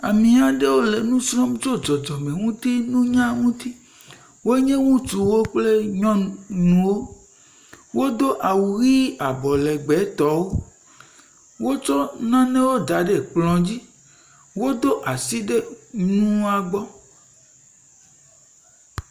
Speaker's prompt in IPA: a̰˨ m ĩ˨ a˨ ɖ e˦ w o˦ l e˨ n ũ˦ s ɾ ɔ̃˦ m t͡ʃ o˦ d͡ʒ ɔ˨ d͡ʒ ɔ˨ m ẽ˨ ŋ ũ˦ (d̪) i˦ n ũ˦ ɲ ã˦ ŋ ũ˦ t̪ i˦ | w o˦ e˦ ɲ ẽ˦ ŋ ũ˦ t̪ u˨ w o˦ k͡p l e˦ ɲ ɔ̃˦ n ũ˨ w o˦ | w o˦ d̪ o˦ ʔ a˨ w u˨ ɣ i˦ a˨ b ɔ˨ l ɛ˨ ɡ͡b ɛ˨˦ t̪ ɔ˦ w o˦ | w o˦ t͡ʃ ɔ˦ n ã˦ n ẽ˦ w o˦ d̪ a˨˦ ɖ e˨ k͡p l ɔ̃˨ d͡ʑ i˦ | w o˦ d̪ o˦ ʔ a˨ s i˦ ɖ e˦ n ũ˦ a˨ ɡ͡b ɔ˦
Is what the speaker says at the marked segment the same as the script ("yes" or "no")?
no